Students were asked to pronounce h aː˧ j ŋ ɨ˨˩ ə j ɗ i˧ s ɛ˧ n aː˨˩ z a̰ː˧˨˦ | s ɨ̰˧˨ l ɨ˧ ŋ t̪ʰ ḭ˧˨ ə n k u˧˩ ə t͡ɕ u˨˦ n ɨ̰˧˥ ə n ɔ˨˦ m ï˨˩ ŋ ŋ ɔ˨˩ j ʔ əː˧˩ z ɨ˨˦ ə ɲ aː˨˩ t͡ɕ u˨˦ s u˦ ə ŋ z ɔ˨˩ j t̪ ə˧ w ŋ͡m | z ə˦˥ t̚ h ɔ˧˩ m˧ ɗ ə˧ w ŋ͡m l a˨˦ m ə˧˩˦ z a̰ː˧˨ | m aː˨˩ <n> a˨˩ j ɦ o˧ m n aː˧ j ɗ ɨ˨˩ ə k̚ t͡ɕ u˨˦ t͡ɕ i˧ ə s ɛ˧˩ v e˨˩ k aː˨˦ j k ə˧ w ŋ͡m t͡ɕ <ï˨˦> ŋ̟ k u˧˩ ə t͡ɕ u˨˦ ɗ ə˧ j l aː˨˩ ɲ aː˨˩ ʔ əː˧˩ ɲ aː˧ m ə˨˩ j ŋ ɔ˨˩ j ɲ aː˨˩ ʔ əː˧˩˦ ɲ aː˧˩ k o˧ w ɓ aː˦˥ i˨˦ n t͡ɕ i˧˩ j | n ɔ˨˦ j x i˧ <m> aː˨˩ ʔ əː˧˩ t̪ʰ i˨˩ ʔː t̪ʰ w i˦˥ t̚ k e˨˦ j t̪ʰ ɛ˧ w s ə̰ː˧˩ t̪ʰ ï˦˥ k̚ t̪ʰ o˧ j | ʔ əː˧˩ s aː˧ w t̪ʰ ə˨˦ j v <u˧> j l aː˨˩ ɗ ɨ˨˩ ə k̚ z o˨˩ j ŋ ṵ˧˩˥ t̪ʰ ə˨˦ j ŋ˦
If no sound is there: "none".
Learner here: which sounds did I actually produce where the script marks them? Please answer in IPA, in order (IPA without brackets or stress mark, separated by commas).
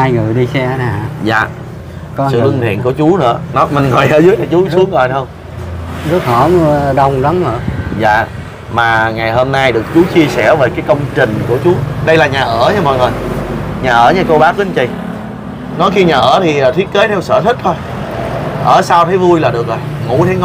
ŋ, ï˨˩, ɲ, u˧